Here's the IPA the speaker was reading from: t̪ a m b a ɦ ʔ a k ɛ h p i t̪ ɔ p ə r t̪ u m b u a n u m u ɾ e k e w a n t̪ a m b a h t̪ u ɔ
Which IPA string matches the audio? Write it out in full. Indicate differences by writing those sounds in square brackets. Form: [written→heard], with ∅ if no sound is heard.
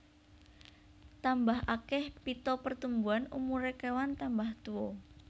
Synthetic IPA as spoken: t̪ a m b a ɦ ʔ a k ɛ h p i t̪ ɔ p ə r t̪ u m b u a n u m u ɾ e k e w a n t̪ a m b a h t̪ u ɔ